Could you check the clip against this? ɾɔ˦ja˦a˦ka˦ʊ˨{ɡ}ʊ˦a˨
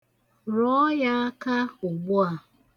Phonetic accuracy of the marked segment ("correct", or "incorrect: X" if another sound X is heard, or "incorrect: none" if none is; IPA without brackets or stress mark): incorrect: ɡ͡b